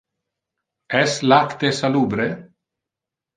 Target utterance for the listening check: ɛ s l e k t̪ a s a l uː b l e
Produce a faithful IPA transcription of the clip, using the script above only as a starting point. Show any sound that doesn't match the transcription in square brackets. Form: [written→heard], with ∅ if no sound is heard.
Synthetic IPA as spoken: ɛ s l [e→a] k t̪ [a→e] s a l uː b [l→ɾ] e